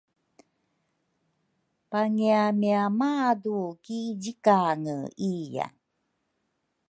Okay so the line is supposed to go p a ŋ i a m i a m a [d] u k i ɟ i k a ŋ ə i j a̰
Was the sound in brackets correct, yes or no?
yes